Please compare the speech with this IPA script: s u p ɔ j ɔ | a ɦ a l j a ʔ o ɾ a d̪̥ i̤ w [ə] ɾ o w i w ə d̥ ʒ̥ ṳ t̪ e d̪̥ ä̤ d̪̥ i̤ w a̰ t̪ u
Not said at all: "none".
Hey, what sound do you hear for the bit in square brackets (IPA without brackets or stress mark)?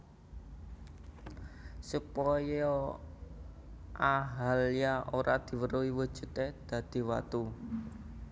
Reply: ə